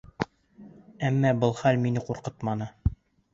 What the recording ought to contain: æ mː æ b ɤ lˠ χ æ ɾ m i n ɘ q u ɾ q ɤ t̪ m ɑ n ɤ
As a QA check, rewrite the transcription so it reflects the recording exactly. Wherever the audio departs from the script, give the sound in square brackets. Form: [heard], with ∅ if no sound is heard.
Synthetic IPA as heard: æ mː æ b ɤ lˠ χ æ [l] m i n ɘ q u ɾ q ɤ t̪ m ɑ n ɤ

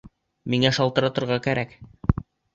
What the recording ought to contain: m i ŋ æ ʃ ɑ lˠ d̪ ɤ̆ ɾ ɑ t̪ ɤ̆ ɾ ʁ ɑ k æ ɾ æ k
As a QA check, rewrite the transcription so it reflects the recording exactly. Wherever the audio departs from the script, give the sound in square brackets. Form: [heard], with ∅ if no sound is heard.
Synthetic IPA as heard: m i ŋ æ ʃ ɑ lˠ [t̪] ɤ̆ ɾ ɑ t̪ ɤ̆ ɾ ʁ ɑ k æ ɾ æ k

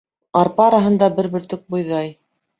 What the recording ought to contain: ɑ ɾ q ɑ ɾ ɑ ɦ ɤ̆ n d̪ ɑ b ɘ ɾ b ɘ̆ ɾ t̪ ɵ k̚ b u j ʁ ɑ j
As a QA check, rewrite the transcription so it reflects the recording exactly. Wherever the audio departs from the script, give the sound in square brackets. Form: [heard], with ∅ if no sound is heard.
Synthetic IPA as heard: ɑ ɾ [p] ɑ ɾ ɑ ɦ ɤ̆ n d̪ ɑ b ɘ ɾ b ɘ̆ ɾ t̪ ɵ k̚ b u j [ð] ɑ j

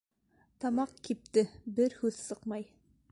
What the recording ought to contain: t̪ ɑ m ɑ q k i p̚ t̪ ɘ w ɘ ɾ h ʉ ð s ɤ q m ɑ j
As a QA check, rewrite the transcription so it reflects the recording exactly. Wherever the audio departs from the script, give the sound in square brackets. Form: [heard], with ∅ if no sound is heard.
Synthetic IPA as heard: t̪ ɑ m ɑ q k i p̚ t̪ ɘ [b] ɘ ɾ h ʉ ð s ɤ q m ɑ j

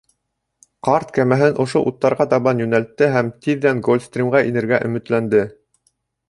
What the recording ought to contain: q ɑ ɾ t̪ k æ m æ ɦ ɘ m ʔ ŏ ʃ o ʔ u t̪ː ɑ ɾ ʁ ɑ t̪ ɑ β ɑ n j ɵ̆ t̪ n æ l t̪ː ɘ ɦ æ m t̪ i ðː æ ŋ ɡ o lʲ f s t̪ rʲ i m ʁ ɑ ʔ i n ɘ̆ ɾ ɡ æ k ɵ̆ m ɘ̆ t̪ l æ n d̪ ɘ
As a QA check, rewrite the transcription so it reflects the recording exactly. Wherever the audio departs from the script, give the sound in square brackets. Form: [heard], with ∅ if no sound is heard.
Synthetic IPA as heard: q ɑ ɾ t̪ k æ m æ ɦ ɘ [n] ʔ ŏ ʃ o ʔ u t̪ː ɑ ɾ ʁ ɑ t̪ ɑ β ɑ n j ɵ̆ [∅] n æ l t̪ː ɘ ɦ æ m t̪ i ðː æ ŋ ɡ o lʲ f s t̪ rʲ i m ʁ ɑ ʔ i n ɘ̆ ɾ ɡ æ [ʔ] ɵ̆ m ɘ̆ t̪ l æ n d̪ ɘ

